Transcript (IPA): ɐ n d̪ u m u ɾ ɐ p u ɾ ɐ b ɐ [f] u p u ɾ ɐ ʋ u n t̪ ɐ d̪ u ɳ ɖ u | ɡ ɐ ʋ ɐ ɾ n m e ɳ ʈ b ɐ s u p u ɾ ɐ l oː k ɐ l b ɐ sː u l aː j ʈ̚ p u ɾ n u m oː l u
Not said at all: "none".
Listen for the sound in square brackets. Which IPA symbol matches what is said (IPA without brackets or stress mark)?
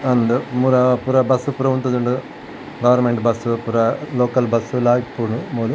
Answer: s